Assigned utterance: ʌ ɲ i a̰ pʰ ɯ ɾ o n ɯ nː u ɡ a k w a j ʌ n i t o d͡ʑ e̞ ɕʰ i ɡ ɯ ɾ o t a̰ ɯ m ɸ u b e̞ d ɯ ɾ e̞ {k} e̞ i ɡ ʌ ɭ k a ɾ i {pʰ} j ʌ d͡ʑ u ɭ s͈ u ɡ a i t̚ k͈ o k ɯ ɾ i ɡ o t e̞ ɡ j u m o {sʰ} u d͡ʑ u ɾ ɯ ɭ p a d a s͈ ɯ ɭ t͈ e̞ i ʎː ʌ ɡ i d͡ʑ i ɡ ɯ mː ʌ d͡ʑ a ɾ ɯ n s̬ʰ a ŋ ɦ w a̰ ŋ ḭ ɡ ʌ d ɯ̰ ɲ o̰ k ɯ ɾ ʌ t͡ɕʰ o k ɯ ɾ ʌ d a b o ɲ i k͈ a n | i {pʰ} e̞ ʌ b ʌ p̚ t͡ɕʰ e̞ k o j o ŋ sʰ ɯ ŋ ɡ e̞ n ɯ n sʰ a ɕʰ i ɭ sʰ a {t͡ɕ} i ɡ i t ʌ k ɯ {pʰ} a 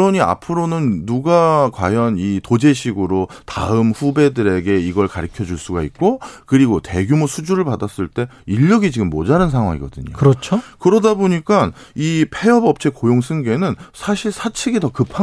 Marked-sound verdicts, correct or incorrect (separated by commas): incorrect, incorrect, correct, correct, incorrect, correct